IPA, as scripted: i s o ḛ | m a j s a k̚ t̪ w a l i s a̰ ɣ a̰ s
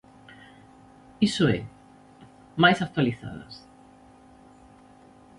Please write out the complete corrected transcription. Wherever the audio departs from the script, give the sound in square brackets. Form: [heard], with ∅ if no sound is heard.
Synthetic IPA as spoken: i s o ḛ | m a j s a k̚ t̪ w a l i [θ] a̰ [ð] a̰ s